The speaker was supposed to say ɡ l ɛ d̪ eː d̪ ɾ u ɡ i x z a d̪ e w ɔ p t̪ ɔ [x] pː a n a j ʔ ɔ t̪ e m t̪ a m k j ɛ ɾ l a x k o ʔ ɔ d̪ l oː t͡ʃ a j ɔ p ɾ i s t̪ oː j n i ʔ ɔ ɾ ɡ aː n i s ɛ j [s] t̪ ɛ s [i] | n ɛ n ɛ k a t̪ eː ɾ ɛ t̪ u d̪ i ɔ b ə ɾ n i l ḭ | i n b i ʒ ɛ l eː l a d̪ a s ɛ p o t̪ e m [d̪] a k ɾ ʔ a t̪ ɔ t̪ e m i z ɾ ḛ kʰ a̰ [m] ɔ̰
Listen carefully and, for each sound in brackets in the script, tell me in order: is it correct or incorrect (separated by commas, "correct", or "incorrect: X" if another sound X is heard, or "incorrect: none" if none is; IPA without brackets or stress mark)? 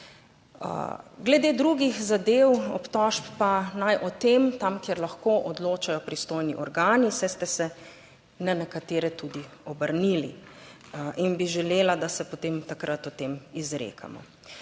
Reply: incorrect: ʃ, correct, incorrect: ɛ, incorrect: t̪, correct